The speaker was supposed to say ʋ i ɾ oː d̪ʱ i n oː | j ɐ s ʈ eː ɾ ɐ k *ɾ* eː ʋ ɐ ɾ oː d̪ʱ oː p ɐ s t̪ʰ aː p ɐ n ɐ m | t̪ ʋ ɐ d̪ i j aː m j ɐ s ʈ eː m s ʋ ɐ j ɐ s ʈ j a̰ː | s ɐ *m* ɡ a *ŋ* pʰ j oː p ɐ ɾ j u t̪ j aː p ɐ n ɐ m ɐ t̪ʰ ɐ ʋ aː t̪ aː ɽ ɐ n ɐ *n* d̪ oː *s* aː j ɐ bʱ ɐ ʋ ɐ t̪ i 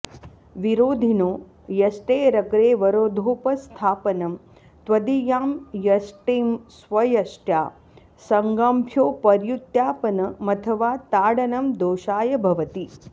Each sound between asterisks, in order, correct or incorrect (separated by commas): correct, incorrect, incorrect, incorrect, incorrect